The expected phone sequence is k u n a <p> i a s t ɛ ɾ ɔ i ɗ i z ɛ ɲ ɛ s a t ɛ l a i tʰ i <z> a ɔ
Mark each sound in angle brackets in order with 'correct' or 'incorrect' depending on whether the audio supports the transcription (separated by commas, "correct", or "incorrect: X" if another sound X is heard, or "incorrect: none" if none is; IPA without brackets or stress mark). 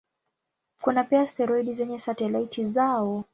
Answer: correct, correct